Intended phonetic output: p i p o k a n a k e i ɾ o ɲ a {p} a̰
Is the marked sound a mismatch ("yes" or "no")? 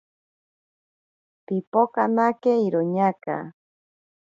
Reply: yes